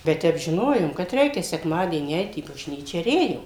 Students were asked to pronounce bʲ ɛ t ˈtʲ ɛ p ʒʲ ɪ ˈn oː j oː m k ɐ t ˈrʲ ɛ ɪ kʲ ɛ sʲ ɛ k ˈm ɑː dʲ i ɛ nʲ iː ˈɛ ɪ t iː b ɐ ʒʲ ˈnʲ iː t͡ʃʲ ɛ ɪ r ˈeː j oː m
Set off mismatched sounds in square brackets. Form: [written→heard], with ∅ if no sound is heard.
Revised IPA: bʲ ɛ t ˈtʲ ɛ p ʒʲ ɪ ˈn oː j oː m k ɐ t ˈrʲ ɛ ɪ kʲ ɛ sʲ ɛ k ˈm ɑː dʲ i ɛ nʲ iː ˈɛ ɪ t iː b ɐ ʒʲ ˈnʲ iː t͡ʃʲ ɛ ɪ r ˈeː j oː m